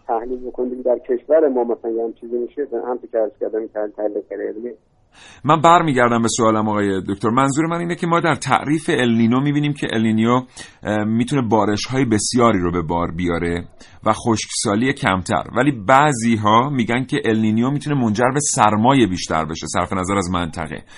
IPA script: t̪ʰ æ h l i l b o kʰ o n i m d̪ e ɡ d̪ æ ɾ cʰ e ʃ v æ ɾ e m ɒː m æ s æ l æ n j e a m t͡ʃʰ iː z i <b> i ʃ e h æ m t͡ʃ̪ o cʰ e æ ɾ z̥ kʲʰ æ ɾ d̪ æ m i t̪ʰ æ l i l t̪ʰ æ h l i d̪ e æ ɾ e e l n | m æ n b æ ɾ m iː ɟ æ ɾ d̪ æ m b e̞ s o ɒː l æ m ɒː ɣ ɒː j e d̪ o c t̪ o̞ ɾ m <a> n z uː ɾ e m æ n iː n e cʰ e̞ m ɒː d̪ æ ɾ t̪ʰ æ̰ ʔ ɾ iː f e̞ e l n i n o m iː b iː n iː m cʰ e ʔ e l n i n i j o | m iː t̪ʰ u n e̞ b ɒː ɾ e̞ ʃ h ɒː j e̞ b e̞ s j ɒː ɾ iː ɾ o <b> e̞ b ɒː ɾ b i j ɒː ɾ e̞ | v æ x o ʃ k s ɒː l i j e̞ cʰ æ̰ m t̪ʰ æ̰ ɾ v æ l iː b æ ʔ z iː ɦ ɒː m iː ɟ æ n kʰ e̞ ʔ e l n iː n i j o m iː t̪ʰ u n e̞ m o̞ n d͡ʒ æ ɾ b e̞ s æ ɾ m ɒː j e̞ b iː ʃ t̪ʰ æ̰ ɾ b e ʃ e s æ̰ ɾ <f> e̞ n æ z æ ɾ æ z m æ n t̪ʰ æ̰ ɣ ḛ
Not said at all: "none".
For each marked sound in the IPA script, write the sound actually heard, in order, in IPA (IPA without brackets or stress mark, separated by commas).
m, æ, b, f